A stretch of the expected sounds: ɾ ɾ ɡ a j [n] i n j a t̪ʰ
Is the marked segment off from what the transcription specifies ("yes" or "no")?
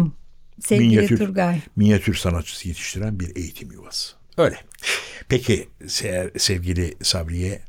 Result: yes